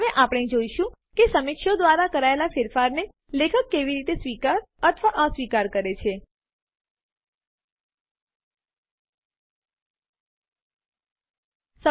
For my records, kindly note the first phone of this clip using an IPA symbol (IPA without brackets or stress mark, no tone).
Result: ʋ